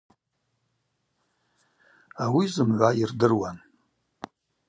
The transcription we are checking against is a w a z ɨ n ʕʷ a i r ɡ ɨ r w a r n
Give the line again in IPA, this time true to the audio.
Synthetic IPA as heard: a w i z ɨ m ʕʷ a i r d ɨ r w a n